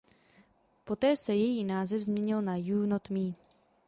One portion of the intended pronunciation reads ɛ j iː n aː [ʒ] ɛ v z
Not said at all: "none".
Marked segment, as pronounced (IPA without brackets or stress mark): z